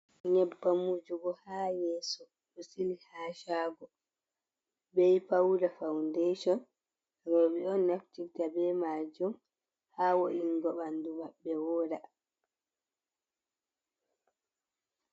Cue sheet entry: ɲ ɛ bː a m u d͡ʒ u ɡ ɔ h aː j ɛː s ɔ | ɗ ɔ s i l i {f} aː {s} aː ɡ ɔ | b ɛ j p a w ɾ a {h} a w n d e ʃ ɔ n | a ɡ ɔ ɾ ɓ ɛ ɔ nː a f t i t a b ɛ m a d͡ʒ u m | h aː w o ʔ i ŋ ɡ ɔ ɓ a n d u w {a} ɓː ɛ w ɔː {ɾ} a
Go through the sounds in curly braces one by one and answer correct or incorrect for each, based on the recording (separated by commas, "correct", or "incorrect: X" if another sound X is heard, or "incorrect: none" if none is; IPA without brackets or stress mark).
incorrect: h, incorrect: ʃ, incorrect: f, correct, correct